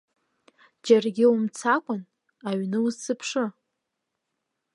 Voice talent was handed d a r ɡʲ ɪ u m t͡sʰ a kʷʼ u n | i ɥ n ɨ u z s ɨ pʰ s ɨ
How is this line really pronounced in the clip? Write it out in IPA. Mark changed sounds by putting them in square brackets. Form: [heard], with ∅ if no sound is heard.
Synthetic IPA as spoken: [d͡ʒ] a r ɡʲ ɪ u m t͡sʰ a kʷʼ [ʊ] n | [a] ɥ n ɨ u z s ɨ pʰ [ʂ] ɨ